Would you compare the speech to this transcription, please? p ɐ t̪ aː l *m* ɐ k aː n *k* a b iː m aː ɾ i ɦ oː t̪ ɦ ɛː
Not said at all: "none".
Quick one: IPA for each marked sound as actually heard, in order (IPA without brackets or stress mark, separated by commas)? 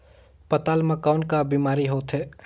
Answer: m, k